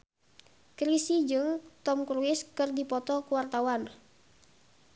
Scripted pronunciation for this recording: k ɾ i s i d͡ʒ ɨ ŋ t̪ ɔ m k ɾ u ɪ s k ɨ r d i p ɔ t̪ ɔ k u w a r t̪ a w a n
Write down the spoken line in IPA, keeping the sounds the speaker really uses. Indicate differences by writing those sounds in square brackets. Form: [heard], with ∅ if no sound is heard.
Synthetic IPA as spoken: k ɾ i s i d͡ʒ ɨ ŋ t̪ ɔ m k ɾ u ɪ s k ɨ r d i p ɔ t̪ ɔ k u w a r t̪ a w a n